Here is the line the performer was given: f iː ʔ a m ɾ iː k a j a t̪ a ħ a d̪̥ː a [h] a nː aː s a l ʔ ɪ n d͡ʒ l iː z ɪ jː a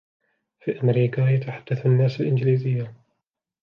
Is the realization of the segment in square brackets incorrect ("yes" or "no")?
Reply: yes